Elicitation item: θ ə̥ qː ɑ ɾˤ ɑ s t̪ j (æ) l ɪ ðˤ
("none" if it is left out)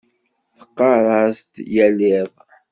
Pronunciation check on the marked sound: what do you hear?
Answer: æ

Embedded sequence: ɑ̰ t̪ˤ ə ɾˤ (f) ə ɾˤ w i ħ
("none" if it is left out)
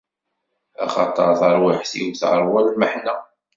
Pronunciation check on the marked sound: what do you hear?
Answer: θ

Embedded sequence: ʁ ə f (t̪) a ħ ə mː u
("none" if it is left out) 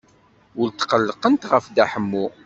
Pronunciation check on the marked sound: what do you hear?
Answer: d̪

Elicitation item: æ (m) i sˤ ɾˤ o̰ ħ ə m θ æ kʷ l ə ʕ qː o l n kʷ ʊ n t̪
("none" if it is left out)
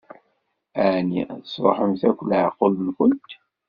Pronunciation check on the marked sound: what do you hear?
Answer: n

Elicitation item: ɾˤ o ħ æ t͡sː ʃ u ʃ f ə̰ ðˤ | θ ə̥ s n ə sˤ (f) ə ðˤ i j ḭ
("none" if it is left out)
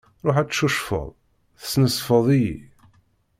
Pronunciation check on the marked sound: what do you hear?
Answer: f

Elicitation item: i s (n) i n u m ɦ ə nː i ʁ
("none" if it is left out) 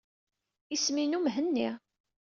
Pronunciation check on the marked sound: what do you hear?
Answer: m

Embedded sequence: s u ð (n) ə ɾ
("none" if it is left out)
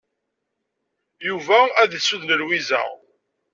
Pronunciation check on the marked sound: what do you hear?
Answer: n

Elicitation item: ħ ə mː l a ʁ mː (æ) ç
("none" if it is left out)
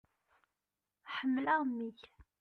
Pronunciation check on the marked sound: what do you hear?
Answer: i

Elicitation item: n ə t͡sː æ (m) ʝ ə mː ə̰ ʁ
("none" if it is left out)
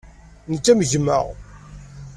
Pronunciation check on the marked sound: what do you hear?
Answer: m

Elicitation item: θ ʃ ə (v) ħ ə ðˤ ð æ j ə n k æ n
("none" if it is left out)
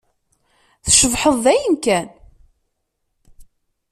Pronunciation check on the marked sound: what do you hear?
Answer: v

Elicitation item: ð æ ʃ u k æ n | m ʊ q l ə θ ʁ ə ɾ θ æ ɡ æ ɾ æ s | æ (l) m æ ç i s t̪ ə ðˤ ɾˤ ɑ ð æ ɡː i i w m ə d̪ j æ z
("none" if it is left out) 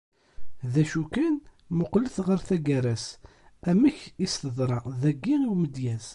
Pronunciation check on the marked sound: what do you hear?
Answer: none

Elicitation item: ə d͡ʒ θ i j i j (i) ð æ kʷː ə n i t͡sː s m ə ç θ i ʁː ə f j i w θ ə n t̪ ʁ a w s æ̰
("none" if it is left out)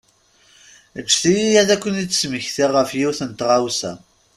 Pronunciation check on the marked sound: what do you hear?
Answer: æ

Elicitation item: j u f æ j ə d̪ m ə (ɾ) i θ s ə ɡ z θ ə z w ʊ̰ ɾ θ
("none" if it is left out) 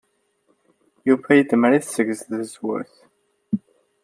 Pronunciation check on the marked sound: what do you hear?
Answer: ɾ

